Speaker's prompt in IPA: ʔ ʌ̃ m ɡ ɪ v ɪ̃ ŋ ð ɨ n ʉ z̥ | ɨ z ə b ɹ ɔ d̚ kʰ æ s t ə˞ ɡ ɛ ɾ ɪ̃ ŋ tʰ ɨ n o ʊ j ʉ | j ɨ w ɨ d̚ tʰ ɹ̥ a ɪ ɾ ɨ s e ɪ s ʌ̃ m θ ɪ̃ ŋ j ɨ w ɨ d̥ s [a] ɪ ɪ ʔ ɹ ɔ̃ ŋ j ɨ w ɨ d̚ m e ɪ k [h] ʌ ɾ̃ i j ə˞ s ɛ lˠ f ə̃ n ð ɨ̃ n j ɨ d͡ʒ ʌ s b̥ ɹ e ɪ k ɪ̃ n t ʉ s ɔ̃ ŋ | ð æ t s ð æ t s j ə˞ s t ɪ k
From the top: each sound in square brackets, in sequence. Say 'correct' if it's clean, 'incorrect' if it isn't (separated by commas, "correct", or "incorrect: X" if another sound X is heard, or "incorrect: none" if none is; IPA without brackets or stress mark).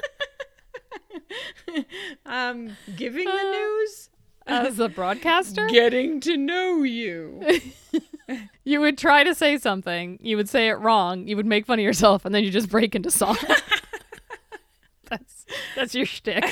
incorrect: e, incorrect: f